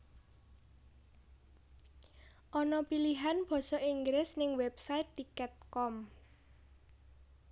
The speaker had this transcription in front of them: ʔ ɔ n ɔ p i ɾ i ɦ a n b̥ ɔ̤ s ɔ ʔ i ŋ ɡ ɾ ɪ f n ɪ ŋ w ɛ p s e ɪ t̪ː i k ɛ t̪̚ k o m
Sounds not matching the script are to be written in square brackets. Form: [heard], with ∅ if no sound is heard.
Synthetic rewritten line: ʔ ɔ n ɔ p i [l] i ɦ a n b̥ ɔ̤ s ɔ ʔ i ŋ ɡ ɾ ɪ [s] n ɪ ŋ w ɛ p s [a] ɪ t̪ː i k ɛ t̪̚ k [ɔ] m